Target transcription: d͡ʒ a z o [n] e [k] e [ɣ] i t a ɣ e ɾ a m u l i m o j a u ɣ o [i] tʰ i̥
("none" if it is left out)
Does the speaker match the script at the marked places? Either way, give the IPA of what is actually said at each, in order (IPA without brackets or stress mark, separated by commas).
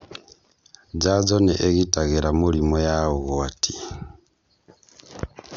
n, ʔ, ɣ, a